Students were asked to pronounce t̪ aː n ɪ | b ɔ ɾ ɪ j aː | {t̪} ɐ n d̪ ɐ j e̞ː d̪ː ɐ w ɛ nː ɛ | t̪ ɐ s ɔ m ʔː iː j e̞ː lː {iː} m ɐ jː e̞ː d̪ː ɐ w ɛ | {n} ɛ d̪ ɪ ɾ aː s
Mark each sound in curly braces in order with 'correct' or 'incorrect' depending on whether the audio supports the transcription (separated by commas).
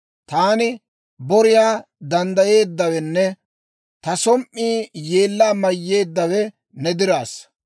incorrect, incorrect, correct